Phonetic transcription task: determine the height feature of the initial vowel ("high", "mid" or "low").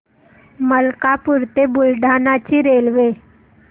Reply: mid